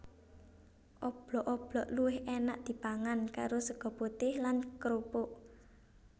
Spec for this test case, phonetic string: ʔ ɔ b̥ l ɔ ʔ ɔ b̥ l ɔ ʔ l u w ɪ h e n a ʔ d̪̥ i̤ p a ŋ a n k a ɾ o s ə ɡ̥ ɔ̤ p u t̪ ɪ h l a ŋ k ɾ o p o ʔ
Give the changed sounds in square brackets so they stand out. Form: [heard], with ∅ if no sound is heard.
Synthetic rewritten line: ʔ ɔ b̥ l ɔ ʔ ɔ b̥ l ɔ ʔ l u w ɪ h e n a ʔ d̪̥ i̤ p a ŋ a n k a ɾ o s ə ɡ̥ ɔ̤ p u t̪ ɪ h l a [n] k ɾ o p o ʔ